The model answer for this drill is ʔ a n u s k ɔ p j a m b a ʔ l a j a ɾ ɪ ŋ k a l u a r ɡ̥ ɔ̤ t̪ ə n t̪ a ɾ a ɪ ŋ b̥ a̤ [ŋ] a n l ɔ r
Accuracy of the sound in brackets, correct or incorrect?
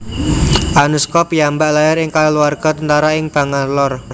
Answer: correct